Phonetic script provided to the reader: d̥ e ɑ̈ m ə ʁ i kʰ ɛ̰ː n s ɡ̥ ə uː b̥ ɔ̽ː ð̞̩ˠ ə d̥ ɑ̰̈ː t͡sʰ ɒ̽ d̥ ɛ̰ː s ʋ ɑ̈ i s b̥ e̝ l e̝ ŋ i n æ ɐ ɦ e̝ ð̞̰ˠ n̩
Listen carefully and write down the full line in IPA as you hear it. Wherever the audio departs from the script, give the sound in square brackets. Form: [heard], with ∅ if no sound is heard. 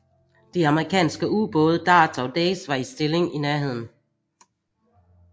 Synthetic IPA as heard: d̥ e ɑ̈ m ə ʁ i kʰ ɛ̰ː n s ɡ̥ ə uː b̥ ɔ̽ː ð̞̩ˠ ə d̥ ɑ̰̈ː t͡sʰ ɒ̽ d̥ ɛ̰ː s ʋ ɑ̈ i s [d̥] e̝ l e̝ ŋ i n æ ɐ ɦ e̝ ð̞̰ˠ n̩

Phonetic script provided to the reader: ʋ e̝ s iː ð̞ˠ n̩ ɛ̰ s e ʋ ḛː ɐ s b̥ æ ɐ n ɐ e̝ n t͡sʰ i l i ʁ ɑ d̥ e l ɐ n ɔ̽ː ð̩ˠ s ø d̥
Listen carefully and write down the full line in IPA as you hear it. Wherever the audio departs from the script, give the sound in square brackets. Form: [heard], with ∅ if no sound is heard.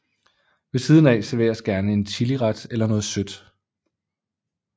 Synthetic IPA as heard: ʋ e̝ s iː ð̞ˠ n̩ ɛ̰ s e ʋ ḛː ɐ s [ɡ̥] æ ɐ n [ə] e̝ n t͡sʰ i l i ʁ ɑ d̥ e l ɐ n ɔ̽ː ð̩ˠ s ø d̥

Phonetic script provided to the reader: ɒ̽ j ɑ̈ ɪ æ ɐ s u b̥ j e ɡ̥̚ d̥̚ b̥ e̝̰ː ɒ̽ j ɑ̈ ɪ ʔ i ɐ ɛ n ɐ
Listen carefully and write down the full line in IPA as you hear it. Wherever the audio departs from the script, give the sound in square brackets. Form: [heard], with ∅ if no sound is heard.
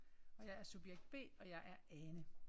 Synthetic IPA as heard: ɒ̽ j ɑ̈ ɪ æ ɐ s u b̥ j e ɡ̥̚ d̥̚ b̥ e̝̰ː ɒ̽ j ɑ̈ ɪ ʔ [æ] ɐ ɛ n [ə]

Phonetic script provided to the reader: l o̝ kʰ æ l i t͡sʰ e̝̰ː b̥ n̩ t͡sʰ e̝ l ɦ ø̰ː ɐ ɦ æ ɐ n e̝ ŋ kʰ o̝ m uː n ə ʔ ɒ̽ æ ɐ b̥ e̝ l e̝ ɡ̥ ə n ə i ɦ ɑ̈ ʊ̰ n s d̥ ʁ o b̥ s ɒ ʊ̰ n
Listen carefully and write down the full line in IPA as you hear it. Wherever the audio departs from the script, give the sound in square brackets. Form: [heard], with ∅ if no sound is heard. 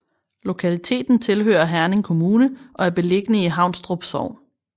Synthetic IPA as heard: l o̝ kʰ æ l i t͡sʰ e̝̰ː [d̥] n̩ t͡sʰ e̝ l ɦ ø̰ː ɐ ɦ æ ɐ n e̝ ŋ kʰ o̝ m uː n ə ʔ ɒ̽ æ ɐ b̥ e̝ l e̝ ɡ̥ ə n ə i ɦ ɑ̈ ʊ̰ n s d̥ ʁ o b̥ s ɒ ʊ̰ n

